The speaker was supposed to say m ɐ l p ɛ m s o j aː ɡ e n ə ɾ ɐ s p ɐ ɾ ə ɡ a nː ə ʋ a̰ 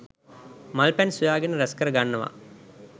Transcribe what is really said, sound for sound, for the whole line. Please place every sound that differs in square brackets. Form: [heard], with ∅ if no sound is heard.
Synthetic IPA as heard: m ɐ l p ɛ [n] s [u] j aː ɡ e n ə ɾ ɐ s [k] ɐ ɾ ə ɡ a nː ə ʋ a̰